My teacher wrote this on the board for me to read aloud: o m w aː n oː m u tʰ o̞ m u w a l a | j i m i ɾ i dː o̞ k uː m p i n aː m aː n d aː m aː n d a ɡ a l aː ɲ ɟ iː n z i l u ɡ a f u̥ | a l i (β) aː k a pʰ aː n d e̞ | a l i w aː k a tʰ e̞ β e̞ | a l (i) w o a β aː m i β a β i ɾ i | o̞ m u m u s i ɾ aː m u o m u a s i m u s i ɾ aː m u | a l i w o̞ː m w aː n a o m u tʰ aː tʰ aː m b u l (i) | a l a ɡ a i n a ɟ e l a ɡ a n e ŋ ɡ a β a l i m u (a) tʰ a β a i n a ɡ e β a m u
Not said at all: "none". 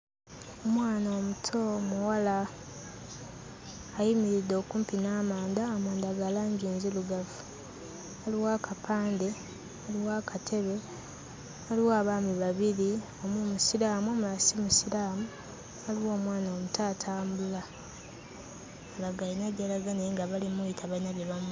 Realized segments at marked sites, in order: w, i, a, i

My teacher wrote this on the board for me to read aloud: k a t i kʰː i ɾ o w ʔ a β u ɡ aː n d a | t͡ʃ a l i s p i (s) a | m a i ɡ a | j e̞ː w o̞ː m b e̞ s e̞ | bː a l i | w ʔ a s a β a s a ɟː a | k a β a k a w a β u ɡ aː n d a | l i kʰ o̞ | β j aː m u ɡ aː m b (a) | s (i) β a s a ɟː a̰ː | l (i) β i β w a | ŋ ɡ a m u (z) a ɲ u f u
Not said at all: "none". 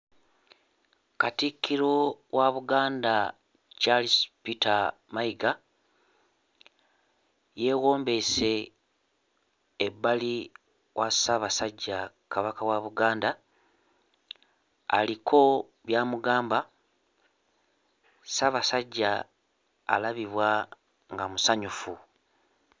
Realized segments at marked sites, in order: t, a, a, a, s

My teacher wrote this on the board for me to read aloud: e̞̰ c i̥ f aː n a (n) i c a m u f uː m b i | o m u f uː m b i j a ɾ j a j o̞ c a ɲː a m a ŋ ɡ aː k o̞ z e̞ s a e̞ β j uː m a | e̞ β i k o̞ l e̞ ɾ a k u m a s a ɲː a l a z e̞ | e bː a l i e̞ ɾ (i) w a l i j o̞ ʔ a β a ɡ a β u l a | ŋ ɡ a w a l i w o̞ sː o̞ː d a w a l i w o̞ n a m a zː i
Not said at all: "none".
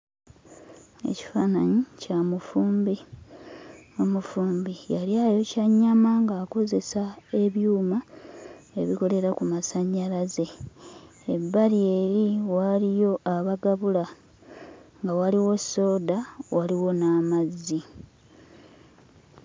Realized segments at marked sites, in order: ɲ, i

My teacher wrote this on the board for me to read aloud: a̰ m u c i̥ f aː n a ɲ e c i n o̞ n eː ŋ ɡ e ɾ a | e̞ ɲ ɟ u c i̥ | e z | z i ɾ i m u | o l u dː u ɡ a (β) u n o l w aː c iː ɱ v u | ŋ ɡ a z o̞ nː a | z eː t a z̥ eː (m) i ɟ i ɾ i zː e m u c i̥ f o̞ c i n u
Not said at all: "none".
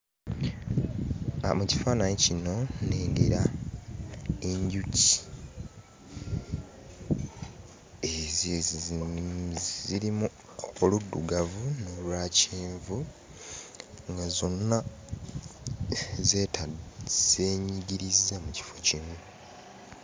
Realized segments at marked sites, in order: v, ɲ

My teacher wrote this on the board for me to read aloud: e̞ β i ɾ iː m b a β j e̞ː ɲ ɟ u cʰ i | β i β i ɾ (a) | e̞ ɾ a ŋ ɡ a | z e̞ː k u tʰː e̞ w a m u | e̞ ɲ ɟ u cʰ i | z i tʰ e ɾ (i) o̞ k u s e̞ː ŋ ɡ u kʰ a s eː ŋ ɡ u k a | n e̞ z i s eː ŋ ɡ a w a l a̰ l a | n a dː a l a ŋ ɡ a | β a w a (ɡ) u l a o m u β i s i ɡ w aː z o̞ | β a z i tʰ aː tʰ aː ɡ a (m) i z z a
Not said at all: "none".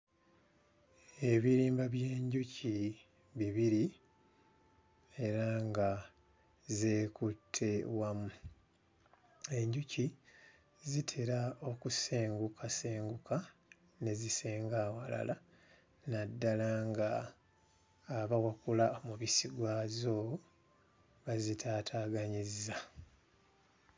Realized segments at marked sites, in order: i, a, k, ɲ

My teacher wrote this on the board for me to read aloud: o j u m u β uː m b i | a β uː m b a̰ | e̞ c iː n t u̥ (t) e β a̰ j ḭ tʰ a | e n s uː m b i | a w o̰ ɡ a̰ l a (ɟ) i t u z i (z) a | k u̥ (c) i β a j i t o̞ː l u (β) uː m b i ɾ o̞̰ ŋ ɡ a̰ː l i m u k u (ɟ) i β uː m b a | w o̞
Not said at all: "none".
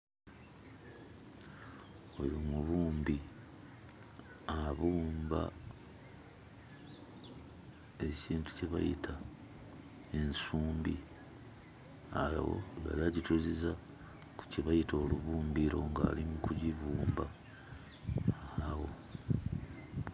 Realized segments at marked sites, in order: c, ɟ, z, c, β, ɟ

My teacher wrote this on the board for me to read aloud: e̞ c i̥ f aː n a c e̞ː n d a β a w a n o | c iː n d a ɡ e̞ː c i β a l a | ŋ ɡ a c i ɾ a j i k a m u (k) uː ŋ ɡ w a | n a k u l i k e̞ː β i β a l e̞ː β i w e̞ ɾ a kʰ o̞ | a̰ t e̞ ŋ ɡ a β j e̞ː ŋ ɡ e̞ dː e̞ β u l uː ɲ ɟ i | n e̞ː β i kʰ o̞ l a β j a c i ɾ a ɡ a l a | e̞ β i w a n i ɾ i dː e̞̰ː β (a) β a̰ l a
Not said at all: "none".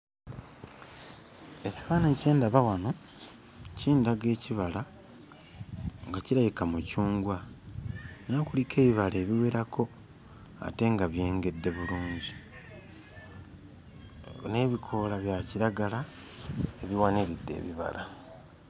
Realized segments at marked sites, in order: c, i

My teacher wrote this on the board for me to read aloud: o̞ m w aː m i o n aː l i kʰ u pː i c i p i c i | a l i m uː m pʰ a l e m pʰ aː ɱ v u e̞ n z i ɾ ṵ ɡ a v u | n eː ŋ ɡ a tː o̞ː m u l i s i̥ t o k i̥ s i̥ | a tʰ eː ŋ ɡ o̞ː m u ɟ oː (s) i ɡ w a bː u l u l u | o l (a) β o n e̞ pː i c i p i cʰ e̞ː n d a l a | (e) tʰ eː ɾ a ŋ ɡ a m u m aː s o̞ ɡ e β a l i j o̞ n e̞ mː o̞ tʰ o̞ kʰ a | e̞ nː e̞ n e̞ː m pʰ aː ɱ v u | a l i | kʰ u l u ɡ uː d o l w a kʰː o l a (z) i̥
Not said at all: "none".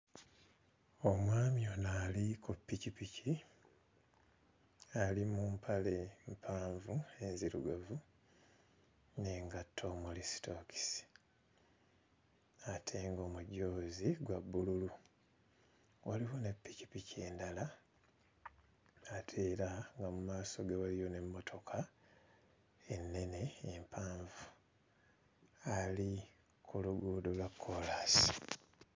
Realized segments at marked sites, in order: z, i, a, s

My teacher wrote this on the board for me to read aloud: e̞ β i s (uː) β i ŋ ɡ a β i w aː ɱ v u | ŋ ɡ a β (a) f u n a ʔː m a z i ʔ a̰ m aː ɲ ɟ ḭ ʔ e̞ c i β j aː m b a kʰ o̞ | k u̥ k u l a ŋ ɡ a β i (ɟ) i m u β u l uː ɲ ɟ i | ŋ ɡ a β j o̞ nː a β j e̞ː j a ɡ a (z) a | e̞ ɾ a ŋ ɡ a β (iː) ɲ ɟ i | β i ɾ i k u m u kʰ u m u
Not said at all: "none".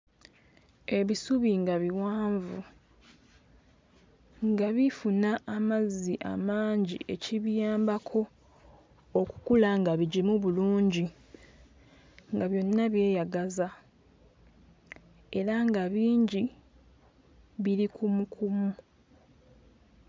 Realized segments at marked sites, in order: u, i, ɟ, z, iː

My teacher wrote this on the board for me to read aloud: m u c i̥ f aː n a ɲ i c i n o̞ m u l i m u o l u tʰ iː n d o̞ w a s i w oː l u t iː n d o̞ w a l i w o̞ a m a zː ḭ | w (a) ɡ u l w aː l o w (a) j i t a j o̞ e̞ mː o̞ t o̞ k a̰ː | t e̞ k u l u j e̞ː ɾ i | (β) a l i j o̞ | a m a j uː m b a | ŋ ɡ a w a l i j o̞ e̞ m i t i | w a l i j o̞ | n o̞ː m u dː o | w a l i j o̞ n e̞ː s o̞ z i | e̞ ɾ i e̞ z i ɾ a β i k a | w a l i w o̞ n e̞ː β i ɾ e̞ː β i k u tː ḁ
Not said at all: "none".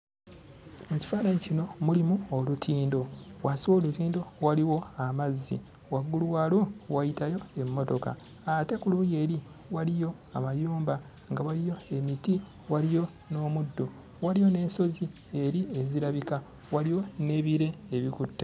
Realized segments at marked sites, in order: a, a, w

